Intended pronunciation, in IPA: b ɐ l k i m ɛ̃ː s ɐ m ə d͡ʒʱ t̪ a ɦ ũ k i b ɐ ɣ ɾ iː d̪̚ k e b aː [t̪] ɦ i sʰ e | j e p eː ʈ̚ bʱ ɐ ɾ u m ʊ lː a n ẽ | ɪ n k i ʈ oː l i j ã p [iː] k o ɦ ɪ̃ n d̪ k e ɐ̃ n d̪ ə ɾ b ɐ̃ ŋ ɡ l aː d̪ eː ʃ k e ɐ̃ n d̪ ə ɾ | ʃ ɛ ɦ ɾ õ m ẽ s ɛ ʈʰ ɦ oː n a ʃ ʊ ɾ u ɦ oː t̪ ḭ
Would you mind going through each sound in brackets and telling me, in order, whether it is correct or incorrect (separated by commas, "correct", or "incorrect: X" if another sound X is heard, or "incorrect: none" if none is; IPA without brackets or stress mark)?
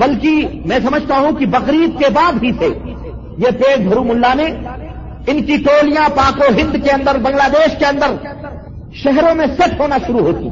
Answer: incorrect: d̪, incorrect: aː